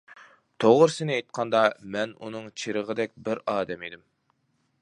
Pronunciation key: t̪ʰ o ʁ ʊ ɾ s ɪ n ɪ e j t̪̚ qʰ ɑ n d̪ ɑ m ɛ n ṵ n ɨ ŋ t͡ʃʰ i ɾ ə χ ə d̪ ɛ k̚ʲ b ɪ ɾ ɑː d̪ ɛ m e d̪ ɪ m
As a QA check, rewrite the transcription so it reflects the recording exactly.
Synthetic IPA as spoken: t̪ʰ o ʁ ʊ ɾ s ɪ n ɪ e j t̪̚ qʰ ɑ n d̪ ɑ m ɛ n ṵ n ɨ ŋ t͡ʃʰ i ɾ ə ʁ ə d̪ ɛ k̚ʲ b ɪ ɾ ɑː d̪ ɛ m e d̪ ɪ m